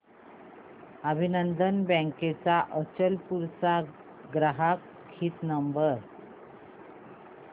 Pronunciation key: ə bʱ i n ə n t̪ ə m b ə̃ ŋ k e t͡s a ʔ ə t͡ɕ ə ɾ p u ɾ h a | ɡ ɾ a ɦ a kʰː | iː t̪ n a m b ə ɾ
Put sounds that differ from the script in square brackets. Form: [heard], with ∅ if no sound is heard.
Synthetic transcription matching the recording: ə bʱ i n ə n [d̪] ə [n] b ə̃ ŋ k e t͡s a ʔ ə t͡ɕ ə [l] p u ɾ [s] a | ɡ ɾ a ɦ a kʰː | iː t̪ n [ə] m b ə ɾ